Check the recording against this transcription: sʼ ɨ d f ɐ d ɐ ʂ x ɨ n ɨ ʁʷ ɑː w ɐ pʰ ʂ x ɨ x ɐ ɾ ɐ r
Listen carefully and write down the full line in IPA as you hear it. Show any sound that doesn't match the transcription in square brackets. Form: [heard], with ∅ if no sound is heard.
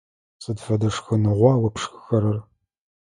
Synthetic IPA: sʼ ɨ d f ɐ d ɐ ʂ x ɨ n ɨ ʁʷ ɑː w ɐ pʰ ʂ x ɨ x ɐ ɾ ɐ r